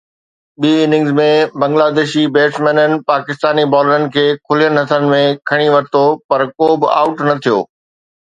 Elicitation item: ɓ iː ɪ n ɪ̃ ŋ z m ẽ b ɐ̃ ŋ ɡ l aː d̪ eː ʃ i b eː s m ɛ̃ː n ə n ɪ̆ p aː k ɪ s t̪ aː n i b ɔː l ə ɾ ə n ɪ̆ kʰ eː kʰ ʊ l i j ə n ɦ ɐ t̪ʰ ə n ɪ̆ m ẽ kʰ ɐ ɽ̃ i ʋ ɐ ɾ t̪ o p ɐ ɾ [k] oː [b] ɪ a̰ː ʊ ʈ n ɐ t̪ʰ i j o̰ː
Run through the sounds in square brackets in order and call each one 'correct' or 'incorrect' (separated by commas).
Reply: correct, correct